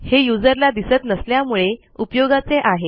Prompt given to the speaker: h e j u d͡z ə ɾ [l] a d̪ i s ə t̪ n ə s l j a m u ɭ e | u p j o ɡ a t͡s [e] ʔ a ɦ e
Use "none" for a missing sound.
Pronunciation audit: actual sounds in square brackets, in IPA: l, e

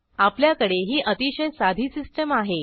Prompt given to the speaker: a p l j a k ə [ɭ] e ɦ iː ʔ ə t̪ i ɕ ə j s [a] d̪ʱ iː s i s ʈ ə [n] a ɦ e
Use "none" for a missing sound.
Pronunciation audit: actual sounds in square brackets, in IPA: ɽ, a, m

